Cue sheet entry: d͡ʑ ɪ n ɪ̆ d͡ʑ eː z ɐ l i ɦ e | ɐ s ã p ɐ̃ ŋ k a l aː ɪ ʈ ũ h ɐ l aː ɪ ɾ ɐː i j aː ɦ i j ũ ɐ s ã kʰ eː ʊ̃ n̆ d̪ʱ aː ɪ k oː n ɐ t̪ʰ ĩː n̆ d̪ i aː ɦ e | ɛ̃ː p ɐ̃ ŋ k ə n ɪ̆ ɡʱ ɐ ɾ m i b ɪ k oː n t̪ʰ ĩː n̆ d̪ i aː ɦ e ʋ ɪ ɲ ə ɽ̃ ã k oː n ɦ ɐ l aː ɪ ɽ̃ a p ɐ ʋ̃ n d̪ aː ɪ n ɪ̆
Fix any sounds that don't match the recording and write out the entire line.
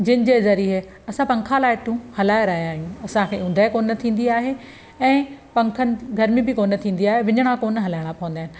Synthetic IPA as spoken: d͡ʑ ɪ n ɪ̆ d͡ʑ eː z ɐ ɾ i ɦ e | ɐ s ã p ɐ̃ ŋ kʰ a l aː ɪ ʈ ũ h ɐ l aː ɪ ɾ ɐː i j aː ɦ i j ũ ɐ s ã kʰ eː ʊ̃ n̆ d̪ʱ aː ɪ k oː n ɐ t̪ʰ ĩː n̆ d̪ i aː ɦ e | ɛ̃ː p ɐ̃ ŋ kʰ ə n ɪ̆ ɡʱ ɐ ɾ m i b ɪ k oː n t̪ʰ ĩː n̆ d̪ i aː ɦ e ʋ ɪ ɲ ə ɽ̃ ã k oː n ɦ ɐ l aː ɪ ɽ̃ a p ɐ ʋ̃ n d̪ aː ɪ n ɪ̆